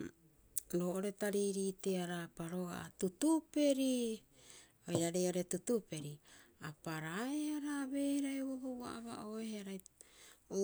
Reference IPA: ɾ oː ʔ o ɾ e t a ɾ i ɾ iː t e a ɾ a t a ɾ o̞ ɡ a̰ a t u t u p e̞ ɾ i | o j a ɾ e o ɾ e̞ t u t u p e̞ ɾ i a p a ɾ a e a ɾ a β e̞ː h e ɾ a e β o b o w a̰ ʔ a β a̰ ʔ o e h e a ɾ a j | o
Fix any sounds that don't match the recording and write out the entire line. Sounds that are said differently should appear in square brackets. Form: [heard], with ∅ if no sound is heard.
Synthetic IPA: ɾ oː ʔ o ɾ e t a ɾ i ɾ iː t e a ɾ a [p] a ɾ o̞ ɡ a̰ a t u t u p e̞ ɾ i | o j a ɾ e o ɾ e̞ t u t u p e̞ ɾ i a p a ɾ a e a ɾ a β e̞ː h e ɾ a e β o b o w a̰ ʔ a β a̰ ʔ o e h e a ɾ a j | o